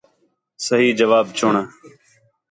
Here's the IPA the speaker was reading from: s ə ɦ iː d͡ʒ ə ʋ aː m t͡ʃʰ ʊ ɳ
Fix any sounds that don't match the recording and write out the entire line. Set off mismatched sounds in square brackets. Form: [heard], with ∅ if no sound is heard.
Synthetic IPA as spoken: s ə ɦ iː d͡ʒ ə ʋ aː [b] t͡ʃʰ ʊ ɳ